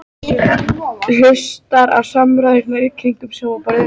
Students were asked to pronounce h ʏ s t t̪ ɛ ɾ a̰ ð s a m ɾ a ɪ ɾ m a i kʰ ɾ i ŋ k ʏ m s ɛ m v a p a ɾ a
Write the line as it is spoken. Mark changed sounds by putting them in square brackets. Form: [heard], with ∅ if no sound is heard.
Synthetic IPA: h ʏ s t t̪ [a] ɾ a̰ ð s a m ɾ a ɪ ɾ [n] a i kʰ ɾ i ŋ k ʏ m s ɛ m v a p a ɾ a